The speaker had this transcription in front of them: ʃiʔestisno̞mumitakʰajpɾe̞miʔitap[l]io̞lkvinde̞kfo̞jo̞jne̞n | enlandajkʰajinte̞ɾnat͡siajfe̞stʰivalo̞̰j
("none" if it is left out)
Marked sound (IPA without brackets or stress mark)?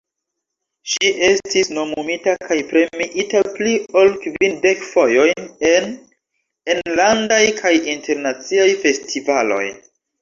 l